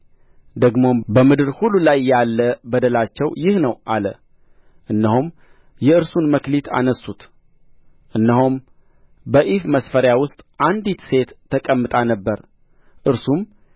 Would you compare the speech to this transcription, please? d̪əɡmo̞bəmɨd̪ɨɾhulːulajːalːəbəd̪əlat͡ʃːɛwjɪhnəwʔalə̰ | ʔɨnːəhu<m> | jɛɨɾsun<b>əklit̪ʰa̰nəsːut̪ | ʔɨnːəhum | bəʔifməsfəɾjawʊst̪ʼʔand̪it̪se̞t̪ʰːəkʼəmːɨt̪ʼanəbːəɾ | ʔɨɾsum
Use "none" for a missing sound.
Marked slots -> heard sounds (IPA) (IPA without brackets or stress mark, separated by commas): m, m